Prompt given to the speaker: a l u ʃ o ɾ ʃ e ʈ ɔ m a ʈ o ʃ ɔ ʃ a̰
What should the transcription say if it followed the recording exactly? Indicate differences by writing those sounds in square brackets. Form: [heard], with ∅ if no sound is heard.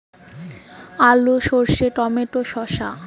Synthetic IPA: a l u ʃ o ɾ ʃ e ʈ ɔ m [e] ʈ o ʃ ɔ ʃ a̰

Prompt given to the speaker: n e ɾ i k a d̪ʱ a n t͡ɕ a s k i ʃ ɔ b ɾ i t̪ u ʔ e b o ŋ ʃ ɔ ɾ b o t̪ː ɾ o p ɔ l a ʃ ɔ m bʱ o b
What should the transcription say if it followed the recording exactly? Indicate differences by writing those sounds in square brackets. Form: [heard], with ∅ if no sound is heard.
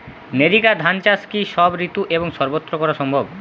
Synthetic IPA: n e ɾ i k a d̪ʱ a n t͡ɕ a s k i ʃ ɔ b ɾ i t̪ u ʔ e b o ŋ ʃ ɔ ɾ b o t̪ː ɾ o [k] ɔ [ɾ] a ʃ ɔ m bʱ o b

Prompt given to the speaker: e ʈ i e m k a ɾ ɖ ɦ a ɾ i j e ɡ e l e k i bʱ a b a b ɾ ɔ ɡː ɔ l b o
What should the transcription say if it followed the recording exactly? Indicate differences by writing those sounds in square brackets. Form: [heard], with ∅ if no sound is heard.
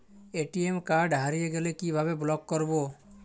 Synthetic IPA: e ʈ i e m k a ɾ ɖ ɦ a ɾ i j e ɡ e l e k i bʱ a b [e] b [l] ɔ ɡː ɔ [ɾ] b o

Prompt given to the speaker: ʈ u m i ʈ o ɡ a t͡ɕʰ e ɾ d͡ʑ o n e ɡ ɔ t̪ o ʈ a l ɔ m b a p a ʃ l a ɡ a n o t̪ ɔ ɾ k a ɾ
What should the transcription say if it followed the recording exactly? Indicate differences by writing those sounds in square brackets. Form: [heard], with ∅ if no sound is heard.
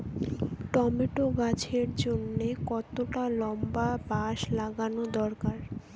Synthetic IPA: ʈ [ɔ] m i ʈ o ɡ a t͡ɕʰ e ɾ d͡ʑ o [nː] e [k] ɔ t̪ o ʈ a l ɔ m b a [b] a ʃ l a ɡ a n o [d̪] ɔ ɾ k a ɾ

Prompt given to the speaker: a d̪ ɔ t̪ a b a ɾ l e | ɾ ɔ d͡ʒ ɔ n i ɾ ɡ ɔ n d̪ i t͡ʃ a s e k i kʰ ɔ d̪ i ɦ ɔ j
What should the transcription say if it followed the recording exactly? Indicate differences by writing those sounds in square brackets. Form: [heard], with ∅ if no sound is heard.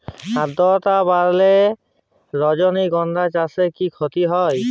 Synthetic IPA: a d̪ ɔ t̪ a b a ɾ l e | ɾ ɔ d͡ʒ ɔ n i [∅] ɡ ɔ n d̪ [a] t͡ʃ a s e k i kʰ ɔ [t̪] i ɦ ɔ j

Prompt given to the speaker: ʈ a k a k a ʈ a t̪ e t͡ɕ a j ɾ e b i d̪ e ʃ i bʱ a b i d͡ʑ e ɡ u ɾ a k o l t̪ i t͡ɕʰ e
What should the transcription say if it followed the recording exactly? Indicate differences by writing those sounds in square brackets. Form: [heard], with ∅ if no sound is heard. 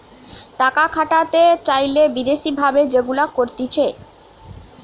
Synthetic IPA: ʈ a k a [kʰ] a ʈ a t̪ e t͡ɕ a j [l] e b i d̪ e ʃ i bʱ a b [e] d͡ʑ e ɡ u [l] a k o [ɾ] t̪ i t͡ɕʰ e

